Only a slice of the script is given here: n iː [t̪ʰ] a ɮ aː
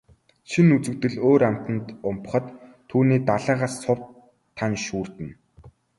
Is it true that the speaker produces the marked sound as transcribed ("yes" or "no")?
no